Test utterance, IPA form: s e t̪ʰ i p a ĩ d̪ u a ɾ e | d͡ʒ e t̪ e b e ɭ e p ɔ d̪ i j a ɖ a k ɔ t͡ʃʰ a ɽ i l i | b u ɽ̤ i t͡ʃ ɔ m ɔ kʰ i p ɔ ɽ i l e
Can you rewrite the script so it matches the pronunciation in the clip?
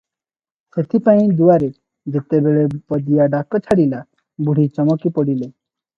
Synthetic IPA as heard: s e t̪ʰ i p a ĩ d̪ u a ɾ e | d͡ʒ e t̪ e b e ɭ e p ɔ d̪ i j a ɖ a k ɔ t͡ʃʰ a ɽ i l a | b u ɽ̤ i t͡ʃ ɔ m ɔ k i p ɔ ɽ i l e